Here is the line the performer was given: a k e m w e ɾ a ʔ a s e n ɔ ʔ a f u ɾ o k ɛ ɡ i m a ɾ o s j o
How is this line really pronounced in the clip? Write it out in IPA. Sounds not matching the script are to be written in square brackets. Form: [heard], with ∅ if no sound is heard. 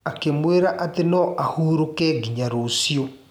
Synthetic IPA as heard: a k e m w e ɾ a ʔ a [t] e n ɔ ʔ a [h] u ɾ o k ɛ ɡ i [ɲ] a ɾ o s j o